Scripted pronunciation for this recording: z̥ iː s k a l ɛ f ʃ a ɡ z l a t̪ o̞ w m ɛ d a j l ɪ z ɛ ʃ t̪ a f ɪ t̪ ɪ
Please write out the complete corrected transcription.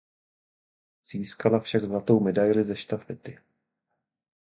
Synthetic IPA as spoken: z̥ iː s k a l a f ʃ a ɡ z l a t̪ o̞ w m ɛ d a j l ɪ z ɛ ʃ t̪ a f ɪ t̪ ɪ